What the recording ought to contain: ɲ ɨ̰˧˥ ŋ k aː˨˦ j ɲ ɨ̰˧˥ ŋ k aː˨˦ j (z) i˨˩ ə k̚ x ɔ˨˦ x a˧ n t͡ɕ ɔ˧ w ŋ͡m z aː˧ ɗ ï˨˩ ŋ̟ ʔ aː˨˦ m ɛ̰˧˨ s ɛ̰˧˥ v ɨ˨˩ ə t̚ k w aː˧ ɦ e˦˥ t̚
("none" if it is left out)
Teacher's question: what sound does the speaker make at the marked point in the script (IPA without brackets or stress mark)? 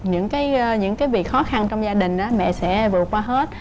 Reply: v